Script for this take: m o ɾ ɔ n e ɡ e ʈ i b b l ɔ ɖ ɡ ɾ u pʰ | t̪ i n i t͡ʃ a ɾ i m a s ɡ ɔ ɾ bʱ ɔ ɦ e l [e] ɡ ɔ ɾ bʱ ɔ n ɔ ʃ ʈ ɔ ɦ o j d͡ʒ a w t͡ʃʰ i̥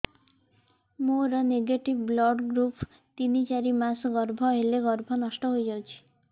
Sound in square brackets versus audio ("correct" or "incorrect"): correct